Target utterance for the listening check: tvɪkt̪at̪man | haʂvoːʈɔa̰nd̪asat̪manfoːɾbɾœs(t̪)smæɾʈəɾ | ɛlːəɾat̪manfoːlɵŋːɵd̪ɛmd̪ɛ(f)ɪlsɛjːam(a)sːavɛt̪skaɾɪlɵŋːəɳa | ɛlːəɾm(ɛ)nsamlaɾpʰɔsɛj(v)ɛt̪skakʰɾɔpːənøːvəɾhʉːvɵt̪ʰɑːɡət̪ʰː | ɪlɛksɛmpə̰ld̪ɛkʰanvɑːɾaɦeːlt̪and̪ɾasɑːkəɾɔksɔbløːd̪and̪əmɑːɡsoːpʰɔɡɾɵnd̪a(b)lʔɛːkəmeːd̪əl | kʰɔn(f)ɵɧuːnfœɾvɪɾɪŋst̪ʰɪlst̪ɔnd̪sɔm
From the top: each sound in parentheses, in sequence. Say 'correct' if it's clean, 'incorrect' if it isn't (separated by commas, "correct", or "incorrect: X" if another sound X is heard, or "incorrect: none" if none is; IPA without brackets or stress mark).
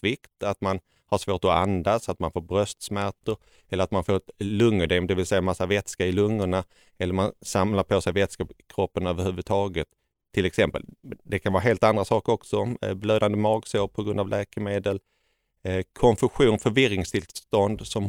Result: correct, incorrect: v, correct, incorrect: a, correct, incorrect: v, correct